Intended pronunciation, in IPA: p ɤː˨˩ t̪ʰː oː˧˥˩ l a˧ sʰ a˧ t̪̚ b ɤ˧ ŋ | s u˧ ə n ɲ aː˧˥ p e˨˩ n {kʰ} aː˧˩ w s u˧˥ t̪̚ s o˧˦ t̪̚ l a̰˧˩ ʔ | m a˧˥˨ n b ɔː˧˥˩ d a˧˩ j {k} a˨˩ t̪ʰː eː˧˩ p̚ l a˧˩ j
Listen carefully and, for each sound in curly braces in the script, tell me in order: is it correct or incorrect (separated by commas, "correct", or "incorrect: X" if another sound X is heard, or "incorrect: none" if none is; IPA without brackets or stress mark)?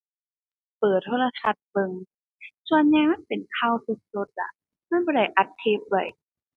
correct, incorrect: ʔ